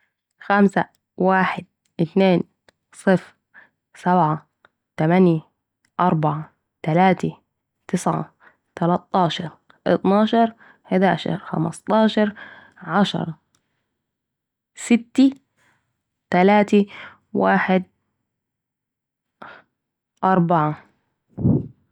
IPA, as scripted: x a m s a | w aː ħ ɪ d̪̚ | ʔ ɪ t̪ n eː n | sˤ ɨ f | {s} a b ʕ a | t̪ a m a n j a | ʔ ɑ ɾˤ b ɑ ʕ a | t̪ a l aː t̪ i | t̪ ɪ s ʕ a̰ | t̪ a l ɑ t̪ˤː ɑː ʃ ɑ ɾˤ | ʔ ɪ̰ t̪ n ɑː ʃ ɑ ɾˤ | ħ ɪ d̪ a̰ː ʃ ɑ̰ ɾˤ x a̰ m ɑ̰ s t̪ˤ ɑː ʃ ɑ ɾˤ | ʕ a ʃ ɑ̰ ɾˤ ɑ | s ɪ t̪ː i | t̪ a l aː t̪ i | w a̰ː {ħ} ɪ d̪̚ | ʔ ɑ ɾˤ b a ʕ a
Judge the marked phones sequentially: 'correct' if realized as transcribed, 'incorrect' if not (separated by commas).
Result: correct, correct